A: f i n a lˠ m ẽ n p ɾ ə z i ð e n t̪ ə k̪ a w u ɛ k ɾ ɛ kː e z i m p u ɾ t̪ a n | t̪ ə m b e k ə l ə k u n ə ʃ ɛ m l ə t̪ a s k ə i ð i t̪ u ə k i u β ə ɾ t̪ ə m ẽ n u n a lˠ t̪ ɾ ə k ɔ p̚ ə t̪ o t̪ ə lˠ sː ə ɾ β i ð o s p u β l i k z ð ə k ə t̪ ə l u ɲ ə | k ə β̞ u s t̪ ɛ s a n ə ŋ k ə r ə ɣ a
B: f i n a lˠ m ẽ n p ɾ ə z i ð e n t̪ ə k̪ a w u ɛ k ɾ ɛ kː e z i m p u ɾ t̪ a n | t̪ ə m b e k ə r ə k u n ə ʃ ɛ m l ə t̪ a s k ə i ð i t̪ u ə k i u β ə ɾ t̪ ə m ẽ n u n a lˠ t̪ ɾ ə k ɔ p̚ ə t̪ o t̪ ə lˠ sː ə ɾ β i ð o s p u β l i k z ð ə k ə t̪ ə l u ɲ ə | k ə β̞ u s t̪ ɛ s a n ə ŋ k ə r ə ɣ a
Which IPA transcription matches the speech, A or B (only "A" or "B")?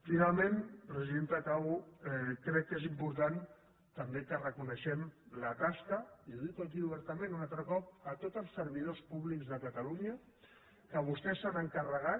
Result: B